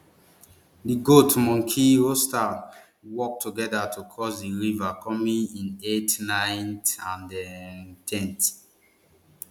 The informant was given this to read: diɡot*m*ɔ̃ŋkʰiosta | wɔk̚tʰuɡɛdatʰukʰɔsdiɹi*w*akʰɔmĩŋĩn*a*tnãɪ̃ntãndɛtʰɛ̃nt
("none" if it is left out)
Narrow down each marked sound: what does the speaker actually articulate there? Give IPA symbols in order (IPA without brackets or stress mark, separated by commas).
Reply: m, v, e